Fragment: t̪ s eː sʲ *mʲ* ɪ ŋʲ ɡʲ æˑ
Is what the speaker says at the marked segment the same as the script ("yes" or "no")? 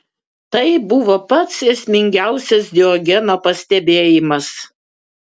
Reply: yes